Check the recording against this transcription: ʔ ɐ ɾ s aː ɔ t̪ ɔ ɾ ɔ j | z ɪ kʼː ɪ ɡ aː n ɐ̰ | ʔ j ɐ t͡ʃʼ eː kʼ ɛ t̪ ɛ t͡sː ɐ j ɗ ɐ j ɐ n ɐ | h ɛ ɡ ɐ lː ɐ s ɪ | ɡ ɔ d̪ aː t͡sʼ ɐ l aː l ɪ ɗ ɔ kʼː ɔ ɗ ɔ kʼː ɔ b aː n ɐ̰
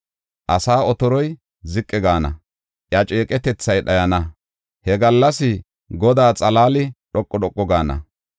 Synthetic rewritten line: ʔ ɐ s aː ɔ t̪ ɔ ɾ ɔ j | z ɪ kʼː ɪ ɡ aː n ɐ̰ | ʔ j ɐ t͡ʃʼ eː kʼ ɛ t̪ ɛ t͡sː ɐ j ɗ ɐ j ɐ n ɐ | h ɛ ɡ ɐ lː ɐ s ɪ | ɡ ɔ d̪ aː t͡sʼ ɐ l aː l ɪ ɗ ɔ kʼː ɔ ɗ ɔ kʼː ɔ ɡ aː n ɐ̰